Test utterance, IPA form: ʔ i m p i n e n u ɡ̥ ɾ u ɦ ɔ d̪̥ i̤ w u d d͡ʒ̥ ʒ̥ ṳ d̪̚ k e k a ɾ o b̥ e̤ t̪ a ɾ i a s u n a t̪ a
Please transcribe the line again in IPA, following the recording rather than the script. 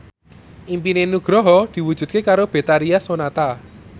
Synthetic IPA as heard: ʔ i m p i n e n u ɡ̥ ɾ ɔ ɦ ɔ d̪̥ i̤ w u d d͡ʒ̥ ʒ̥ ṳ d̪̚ k e k a ɾ o b̥ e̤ t̪ a ɾ i a s o n a t̪ a

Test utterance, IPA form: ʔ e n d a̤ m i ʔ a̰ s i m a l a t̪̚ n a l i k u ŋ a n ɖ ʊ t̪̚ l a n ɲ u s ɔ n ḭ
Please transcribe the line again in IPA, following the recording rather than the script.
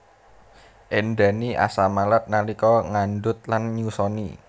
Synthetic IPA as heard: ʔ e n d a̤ n i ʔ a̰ s a m a l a t̪̚ n a l i k ɔ ŋ a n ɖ ʊ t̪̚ l a n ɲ u s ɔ n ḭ

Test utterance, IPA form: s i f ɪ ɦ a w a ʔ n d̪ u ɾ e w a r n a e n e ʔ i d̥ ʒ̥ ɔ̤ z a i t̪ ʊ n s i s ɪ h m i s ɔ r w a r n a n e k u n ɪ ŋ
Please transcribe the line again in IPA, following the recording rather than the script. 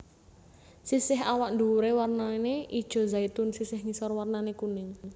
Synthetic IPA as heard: s i s ɪ ɦ a w a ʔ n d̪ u ɾ e w a r n a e n e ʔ i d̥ ʒ̥ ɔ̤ z a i t̪ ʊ n s i s ɪ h ŋ i s ɔ r w a r n a n e k u n ɪ ŋ

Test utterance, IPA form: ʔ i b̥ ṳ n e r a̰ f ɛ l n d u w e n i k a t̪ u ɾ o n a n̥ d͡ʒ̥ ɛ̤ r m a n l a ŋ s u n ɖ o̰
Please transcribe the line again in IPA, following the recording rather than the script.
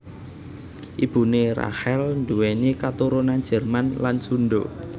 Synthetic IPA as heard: ʔ i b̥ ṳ n e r a̰ h ɛ l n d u w e n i k a t̪ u ɾ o n a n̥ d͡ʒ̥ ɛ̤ r m a n l a n s u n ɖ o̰

